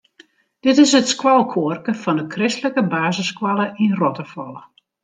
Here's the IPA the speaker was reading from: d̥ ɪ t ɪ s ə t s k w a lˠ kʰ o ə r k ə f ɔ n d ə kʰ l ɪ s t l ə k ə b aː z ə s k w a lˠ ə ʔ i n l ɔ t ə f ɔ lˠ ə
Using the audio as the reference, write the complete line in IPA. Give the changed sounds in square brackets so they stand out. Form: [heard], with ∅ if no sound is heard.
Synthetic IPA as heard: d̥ ɪ t ɪ s ə t s k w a lˠ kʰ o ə r k ə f ɔ n d ə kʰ [r] ɪ s t l ə k ə b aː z ə s k w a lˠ ə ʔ i n [r] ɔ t ə f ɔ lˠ ə

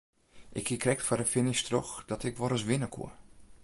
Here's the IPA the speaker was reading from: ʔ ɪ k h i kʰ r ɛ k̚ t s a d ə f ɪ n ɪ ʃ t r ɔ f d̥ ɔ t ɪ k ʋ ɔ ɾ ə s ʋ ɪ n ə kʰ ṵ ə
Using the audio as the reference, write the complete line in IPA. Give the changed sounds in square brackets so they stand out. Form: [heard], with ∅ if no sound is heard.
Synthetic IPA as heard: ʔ ɪ k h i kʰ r ɛ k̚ t [f] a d ə f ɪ n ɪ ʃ t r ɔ [x] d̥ ɔ t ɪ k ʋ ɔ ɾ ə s ʋ ɪ n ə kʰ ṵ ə

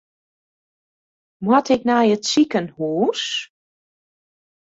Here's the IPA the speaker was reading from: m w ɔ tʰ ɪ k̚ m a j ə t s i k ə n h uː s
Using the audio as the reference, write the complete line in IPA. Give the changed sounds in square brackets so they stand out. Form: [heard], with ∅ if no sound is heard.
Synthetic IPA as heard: m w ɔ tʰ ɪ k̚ [n] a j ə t s i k ə n h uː s

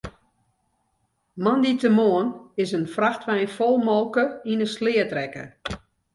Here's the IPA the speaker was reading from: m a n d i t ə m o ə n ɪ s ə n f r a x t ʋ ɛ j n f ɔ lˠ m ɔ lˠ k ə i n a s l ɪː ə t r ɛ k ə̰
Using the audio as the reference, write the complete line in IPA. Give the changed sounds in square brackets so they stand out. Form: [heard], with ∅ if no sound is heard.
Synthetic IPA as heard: m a n d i t ə m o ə n ɪ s ə n f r a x t ʋ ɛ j n f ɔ lˠ m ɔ lˠ k ə i n [ə] s l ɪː ə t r ɛ k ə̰

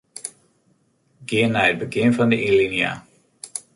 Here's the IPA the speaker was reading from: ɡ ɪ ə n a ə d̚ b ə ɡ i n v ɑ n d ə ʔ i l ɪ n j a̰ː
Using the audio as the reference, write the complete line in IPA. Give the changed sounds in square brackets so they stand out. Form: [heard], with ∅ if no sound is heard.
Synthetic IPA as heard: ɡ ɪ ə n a ə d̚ b ə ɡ [ɪ] n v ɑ n d ə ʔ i l [i] n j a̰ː

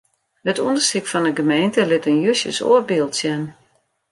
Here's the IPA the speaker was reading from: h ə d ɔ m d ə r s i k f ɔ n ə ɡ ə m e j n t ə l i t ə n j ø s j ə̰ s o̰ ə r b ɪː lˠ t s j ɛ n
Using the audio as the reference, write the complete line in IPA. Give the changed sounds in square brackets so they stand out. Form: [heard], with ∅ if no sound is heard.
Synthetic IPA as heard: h ə [t] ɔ [n] d ə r s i k f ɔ n ə ɡ ə m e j n t ə l [ɪ] t ə n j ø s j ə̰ s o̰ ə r b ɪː lˠ t s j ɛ n

